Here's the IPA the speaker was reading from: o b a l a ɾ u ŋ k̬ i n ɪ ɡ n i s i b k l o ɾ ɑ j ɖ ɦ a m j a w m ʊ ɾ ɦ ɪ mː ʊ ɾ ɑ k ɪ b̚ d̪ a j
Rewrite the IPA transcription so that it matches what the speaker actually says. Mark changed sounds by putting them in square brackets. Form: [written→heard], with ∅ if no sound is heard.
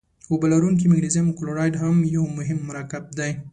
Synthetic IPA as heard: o b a l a ɾ u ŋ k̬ i [n→m] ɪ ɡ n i [s→z] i [b→m] k l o ɾ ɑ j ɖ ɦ a m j a w m ʊ [ɾ→∅] ɦ ɪ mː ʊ ɾ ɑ k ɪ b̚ d̪ a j